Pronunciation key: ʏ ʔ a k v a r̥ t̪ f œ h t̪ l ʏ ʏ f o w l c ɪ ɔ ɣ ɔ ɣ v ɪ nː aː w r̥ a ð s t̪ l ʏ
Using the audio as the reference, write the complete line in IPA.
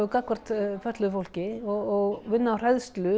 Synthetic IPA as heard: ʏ k a k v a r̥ t̪ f œ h t̪ l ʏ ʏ f o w l c ɪ ɔ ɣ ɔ ɣ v ɪ nː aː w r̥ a ð s t̪ l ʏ